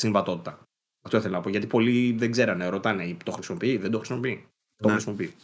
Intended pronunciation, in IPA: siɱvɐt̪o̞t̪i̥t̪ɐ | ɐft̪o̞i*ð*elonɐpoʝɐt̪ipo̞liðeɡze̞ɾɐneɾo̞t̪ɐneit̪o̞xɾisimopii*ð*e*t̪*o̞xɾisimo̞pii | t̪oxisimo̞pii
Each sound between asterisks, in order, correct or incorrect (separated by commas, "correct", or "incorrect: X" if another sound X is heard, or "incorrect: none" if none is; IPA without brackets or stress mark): incorrect: θ, correct, incorrect: d̪